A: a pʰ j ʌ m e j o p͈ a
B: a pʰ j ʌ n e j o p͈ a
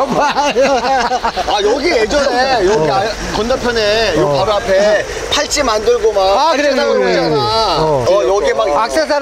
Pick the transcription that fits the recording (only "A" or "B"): B